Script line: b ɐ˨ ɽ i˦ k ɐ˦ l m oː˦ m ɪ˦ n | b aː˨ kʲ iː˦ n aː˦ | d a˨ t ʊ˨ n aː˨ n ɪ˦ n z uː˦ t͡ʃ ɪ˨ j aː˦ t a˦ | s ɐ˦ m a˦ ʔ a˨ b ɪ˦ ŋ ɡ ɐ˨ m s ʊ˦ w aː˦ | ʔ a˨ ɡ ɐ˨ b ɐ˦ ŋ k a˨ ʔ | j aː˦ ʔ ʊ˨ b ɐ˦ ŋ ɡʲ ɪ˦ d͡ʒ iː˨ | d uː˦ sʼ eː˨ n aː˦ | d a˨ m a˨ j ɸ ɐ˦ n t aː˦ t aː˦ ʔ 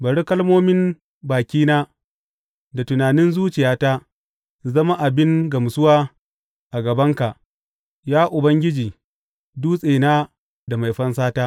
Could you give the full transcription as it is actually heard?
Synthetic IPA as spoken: b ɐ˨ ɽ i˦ k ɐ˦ l m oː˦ m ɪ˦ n | b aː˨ kʲ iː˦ n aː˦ | d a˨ t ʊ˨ n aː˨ n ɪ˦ n z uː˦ t͡ʃ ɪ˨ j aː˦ t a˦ | z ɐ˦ m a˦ ʔ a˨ b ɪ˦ ŋ ɡ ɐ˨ m s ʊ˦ w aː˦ | ʔ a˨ ɡ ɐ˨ b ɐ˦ ŋ k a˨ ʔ | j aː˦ ʔ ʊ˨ b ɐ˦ ŋ ɡʲ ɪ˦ d͡ʒ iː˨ | d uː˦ sʼ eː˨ n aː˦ | d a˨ m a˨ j ɸ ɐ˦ n s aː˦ t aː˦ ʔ

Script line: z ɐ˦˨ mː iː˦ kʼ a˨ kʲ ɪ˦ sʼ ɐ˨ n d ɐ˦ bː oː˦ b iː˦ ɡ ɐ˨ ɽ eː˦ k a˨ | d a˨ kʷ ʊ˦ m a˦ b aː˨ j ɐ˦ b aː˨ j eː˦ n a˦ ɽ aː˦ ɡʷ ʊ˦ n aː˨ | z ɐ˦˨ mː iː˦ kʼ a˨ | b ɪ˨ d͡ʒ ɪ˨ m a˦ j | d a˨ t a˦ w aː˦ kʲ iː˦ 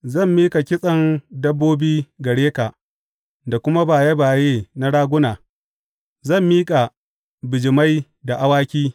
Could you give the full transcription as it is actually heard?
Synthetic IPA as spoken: z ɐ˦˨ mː iː˦ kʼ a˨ kʲ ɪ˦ sʼ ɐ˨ n d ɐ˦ bː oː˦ b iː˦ ɡ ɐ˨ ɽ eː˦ k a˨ | d a˨ kʷ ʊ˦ m a˦ b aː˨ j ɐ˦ b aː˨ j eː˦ n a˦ ɽ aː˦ ɡʷ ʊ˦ n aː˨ | z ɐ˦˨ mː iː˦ kʼ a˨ | b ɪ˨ d͡ʒ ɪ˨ m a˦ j | d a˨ ʔ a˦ w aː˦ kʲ iː˦

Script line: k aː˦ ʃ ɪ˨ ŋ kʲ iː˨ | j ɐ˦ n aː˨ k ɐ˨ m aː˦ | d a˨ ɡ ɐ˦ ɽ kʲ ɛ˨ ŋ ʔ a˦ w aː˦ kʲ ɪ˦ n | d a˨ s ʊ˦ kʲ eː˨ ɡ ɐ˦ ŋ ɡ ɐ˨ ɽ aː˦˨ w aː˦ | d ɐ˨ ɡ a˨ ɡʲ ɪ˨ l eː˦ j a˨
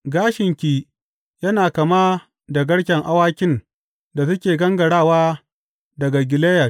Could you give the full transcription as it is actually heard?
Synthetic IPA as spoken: ɡ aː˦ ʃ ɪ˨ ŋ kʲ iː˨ | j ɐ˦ n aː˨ k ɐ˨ m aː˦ | d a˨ ɡ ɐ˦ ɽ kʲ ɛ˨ ŋ ʔ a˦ w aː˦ kʲ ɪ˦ n | d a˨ s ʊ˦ kʲ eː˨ ɡ ɐ˦ ŋ ɡ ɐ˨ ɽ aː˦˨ w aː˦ | d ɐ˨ ɡ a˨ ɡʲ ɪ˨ l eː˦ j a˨

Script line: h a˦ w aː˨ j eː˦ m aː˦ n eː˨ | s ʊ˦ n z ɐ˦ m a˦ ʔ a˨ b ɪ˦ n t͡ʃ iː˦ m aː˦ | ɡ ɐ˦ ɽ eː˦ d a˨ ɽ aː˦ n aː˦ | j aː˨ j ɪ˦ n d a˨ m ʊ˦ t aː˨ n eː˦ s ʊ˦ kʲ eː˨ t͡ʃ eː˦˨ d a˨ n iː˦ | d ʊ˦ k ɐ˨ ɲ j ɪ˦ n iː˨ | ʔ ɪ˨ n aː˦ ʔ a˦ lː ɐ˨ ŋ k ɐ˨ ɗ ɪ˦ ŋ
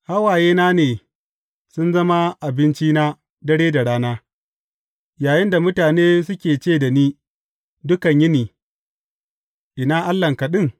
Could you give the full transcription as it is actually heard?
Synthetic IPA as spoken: h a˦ w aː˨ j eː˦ n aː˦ n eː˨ | s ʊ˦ n z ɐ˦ m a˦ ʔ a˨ b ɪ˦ n t͡ʃ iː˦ n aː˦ | d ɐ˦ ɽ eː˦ d a˨ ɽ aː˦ n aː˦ | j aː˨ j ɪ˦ n d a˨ m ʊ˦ t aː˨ n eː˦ s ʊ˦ kʲ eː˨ t͡ʃ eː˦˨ d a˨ n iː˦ | d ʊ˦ k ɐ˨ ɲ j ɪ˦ n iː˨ | ʔ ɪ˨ n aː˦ ʔ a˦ lː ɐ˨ ŋ k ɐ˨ ɗ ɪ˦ ŋ

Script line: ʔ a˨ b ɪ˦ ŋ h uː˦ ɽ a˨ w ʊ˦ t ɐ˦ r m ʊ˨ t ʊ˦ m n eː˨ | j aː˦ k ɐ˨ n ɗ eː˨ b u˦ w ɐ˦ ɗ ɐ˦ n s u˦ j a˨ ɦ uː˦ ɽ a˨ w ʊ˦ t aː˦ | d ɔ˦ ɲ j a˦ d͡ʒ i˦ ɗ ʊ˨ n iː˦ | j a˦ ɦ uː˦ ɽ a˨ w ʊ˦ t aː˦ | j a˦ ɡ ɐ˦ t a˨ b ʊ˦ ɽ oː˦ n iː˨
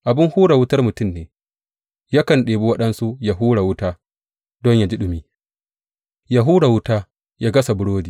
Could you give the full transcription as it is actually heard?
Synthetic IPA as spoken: ʔ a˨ b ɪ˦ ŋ h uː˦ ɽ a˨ w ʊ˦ t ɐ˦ r m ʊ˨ t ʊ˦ m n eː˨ | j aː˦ k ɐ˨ n ɗ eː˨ b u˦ w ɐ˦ ɗ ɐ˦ n s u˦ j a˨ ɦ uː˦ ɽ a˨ w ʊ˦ t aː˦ | d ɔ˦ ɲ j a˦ d͡ʒ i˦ ɗ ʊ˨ m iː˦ | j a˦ ɦ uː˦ ɽ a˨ w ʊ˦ t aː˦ | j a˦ ɡ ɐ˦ s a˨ b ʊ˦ ɽ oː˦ d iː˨

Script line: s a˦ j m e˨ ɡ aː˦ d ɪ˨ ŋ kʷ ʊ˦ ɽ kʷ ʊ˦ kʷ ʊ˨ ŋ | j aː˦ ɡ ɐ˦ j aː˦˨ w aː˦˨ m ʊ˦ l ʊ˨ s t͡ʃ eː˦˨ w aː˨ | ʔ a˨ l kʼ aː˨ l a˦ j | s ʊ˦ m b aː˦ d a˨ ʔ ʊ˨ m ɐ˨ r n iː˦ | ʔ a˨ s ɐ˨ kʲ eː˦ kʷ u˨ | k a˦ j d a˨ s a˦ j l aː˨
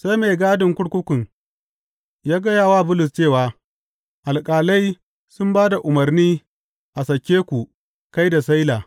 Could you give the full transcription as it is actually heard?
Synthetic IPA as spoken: s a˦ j m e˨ ɡ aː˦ d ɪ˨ ŋ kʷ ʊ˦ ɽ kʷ ʊ˦ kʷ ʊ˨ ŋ | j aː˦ ɡ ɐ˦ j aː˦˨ w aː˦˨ b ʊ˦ l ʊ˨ s t͡ʃ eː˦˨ w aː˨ | ʔ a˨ l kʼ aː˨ l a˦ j | s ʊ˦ m b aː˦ d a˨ ʔ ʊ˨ m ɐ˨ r n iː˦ | ʔ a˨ s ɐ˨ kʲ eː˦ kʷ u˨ | k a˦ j d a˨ s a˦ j l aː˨

